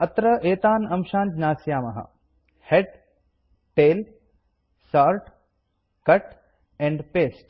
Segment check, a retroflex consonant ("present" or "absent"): present